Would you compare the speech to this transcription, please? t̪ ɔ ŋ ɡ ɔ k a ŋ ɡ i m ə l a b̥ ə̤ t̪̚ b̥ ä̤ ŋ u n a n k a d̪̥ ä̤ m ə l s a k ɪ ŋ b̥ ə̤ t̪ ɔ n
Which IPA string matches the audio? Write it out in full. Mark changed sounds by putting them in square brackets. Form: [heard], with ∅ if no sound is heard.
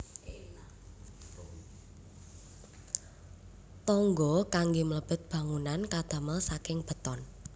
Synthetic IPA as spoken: t̪ ɔ ŋ ɡ ɔ k a ŋ ɡ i m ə l [ə] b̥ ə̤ t̪̚ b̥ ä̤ ŋ u n a n k a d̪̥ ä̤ m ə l s a k ɪ ŋ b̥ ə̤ t̪ ɔ n